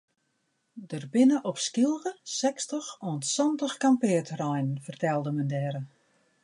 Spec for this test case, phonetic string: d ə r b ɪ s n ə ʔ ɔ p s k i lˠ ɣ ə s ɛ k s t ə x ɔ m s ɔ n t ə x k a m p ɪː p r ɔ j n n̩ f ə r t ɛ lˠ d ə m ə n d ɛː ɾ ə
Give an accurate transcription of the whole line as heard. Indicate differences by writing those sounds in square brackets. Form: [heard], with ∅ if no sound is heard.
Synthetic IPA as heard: d ə r b ɪ [∅] n ə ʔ ɔ p s k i lˠ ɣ ə s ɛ k s t ə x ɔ [n] s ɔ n t ə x k a m p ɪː [t] r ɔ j n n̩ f ə r t ɛ lˠ d ə m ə n d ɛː ɾ ə